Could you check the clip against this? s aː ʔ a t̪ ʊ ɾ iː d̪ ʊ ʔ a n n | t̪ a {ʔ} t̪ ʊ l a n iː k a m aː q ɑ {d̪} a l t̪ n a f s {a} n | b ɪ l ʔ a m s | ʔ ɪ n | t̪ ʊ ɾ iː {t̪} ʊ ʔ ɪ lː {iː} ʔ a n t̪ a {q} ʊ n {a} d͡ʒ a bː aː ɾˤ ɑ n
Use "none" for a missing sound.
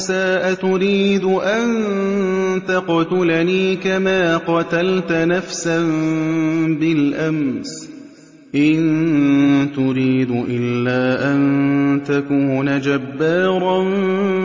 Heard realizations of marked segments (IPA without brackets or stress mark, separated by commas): q, t̪, a, d̪, aː, k, a